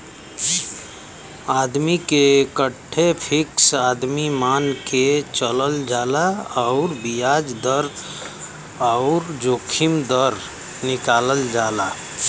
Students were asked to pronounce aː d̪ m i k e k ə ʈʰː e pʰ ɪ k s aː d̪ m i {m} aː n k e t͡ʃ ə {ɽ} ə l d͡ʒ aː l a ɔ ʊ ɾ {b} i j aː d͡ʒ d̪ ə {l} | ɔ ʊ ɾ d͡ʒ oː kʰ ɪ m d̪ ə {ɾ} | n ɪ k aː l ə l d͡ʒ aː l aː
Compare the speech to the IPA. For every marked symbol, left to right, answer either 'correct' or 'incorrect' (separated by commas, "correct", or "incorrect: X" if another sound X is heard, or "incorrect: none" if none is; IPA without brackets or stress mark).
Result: correct, incorrect: l, correct, incorrect: ɾ, correct